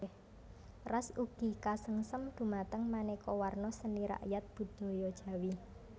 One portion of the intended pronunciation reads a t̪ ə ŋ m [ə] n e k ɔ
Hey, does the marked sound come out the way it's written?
no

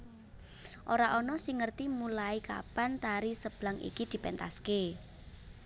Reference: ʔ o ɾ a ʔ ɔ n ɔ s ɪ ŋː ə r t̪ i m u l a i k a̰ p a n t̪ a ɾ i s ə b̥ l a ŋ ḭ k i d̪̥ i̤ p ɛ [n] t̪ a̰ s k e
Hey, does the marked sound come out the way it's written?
yes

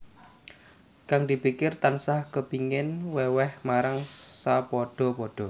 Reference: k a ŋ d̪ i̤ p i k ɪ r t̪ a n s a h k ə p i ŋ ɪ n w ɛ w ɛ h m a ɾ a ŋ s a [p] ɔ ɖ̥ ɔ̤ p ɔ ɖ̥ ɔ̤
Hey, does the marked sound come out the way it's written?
yes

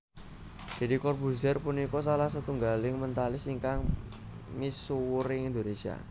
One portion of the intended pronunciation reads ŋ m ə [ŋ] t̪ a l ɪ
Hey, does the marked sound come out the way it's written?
no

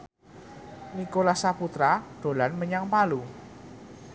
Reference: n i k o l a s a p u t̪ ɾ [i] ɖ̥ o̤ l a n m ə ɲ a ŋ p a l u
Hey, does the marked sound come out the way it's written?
no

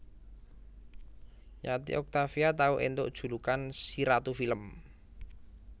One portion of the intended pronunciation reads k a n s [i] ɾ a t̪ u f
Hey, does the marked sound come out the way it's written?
yes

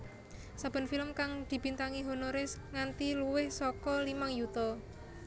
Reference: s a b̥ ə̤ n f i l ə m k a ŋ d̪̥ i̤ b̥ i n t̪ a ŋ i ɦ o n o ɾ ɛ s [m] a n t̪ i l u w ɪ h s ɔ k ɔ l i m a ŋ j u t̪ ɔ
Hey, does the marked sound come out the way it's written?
no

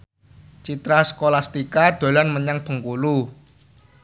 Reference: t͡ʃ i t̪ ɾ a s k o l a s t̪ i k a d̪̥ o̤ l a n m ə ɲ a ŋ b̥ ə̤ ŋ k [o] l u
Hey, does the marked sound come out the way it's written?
no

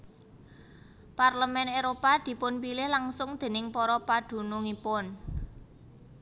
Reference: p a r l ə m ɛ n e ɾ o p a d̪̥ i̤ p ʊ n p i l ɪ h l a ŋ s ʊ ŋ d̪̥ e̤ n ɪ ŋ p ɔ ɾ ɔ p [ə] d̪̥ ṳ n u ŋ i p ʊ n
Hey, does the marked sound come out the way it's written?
no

